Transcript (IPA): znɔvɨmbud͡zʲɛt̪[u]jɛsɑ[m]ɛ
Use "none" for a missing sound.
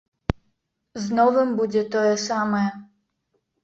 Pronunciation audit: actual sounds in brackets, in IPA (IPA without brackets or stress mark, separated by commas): ɔ, m